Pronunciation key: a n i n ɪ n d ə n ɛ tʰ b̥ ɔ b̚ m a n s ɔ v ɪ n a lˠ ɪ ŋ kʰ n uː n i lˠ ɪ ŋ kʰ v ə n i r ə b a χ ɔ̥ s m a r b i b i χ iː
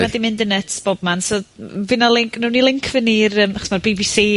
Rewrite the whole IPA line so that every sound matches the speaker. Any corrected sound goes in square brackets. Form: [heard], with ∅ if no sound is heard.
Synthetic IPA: a [d] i [m] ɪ n d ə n ɛ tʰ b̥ ɔ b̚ m a n s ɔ v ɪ n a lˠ ɪ ŋ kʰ n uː n i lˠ ɪ ŋ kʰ v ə n i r ə [m] a χ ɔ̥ s m a r b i b i [s] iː